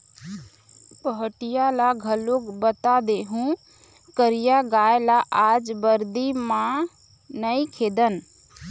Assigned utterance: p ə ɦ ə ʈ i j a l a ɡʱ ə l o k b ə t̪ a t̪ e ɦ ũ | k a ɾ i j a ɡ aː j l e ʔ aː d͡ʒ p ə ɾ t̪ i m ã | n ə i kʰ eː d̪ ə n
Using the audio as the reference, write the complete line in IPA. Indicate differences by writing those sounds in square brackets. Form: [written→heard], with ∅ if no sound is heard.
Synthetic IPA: p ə ɦ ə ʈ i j a l a ɡʱ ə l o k b ə t̪ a [t̪→d̪] e ɦ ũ | k [a→ə] ɾ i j a ɡ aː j l [e→a] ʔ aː d͡ʒ [p→b] ə ɾ [t̪→d̪] i m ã | n ə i kʰ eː d̪ ə n